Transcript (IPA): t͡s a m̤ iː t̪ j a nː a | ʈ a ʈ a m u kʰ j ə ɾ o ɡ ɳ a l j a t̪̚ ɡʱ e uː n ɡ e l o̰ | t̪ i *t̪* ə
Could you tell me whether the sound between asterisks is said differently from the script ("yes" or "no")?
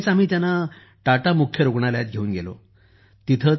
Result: yes